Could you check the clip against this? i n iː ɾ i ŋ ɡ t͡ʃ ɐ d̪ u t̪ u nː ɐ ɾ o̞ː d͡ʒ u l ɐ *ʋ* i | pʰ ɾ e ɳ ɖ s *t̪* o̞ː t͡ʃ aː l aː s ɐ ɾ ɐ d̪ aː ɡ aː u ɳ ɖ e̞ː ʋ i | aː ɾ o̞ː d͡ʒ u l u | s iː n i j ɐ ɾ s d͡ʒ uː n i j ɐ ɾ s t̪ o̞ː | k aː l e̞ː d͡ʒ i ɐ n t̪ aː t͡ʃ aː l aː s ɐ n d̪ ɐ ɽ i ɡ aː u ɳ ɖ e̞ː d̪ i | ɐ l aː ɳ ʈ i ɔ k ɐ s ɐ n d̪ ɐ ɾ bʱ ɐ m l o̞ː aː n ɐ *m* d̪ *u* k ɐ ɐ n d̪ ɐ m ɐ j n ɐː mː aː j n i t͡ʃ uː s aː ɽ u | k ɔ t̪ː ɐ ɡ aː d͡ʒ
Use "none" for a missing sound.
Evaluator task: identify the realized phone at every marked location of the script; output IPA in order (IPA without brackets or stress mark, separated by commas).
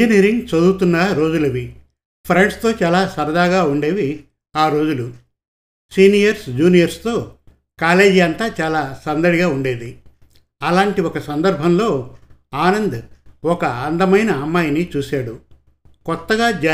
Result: ʋ, t̪, n, ɔ